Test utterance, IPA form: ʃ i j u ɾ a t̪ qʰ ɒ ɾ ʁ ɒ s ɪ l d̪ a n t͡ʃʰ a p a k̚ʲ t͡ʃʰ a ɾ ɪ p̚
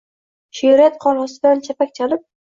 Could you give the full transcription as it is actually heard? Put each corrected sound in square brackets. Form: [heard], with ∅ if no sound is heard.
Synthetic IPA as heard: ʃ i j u ɾ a t̪ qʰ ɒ ɾ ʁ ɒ s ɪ [∅] d̪ a n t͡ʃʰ a p a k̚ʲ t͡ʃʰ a [l] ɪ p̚